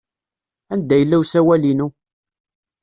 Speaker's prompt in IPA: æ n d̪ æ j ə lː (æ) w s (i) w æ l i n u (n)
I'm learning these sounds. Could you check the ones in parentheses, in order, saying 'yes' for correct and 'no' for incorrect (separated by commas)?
yes, no, no